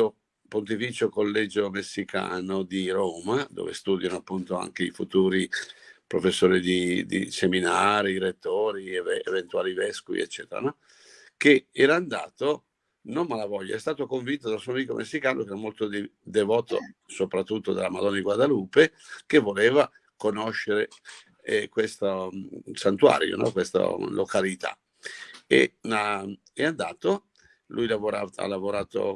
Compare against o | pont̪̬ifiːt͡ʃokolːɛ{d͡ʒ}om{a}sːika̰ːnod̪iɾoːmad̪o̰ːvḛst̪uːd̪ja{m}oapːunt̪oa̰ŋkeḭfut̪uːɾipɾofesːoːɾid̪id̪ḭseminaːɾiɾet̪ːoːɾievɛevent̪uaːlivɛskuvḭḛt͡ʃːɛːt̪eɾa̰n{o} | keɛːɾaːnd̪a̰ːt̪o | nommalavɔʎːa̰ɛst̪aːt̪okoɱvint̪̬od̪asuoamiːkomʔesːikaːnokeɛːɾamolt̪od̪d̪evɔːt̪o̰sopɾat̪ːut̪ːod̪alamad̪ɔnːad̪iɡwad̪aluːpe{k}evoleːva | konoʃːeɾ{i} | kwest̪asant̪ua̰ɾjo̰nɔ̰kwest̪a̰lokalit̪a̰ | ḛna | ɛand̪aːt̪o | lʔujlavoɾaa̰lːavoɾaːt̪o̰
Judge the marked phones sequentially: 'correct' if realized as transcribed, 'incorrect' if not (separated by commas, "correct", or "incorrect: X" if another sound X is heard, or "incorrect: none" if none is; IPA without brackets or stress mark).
correct, incorrect: e, incorrect: n, incorrect: ɔ, correct, incorrect: e